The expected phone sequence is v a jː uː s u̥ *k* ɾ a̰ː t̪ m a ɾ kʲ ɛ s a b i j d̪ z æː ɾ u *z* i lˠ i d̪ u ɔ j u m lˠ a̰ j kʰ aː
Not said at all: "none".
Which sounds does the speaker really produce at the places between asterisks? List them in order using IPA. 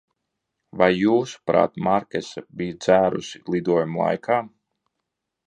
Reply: p, s

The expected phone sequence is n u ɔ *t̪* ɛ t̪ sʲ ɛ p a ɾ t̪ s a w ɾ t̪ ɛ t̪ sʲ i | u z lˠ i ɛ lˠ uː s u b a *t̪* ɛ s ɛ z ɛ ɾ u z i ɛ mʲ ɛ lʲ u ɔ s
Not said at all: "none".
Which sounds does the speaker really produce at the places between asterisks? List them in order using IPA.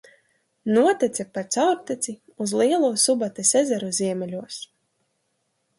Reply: t̪, t̪

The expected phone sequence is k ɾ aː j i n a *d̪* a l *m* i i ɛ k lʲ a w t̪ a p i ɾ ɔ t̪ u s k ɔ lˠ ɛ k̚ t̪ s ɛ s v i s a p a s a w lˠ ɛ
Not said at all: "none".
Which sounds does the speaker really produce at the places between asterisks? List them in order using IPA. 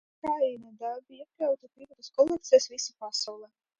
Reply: d̪, b

